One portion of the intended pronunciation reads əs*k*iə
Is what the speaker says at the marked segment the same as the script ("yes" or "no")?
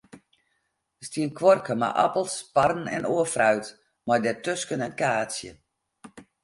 no